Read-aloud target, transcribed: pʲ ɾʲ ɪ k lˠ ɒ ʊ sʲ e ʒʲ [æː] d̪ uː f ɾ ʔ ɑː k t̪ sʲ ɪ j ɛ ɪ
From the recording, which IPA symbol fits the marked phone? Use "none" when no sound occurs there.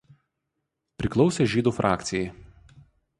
iː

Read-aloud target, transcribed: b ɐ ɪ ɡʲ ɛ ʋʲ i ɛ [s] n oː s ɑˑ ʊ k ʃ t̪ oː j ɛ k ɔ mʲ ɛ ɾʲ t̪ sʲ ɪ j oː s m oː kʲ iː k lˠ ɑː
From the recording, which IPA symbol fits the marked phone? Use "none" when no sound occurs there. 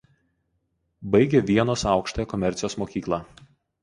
none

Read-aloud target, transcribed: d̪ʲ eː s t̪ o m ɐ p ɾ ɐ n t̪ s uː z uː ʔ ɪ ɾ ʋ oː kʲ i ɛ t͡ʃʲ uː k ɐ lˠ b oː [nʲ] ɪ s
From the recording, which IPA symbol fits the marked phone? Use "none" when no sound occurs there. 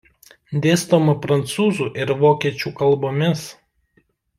mʲ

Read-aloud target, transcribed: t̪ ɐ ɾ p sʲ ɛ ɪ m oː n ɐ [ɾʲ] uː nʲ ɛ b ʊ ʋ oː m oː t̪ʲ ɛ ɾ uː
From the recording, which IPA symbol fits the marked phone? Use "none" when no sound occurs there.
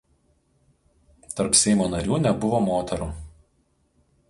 ɾʲ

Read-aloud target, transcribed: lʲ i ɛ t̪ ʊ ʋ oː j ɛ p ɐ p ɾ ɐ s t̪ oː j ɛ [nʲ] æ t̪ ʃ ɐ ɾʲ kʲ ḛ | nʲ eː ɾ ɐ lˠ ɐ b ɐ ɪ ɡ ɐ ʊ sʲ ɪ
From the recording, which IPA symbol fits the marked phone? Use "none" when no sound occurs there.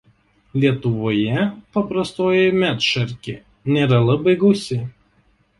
mʲ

